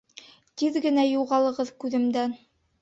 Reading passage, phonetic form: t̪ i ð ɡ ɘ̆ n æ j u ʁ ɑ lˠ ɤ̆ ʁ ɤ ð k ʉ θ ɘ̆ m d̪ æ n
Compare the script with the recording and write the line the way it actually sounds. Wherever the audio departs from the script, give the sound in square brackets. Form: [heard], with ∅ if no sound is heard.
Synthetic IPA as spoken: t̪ i ð ɡ ɘ̆ n æ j u ʁ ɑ lˠ ɤ̆ ʁ ɤ ð k ʉ [ð] ɘ̆ m d̪ æ n